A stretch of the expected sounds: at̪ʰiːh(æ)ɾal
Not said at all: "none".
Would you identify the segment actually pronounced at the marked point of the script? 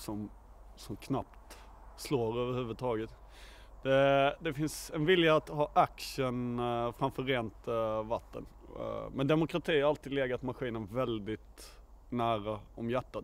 a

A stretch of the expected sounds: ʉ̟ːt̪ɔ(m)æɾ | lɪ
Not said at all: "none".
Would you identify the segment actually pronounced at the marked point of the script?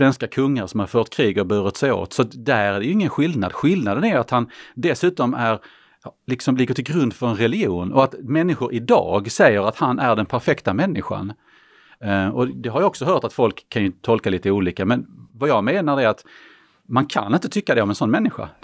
m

